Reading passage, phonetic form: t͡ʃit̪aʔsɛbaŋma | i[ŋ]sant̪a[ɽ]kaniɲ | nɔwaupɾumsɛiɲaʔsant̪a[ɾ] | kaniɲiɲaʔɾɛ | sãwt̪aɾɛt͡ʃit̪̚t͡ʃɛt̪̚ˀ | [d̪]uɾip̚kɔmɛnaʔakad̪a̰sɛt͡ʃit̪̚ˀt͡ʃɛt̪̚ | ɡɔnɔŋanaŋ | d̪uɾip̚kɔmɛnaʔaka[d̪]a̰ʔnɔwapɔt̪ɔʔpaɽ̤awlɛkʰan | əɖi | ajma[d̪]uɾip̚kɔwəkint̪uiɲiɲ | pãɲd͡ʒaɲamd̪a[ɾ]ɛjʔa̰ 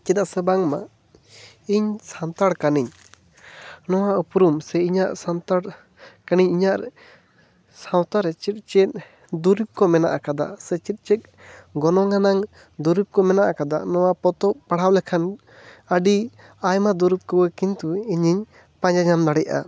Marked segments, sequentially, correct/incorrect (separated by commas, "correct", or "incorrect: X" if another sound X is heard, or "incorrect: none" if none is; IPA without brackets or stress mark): incorrect: ɲ, correct, incorrect: ɽ, correct, correct, correct, incorrect: ɽ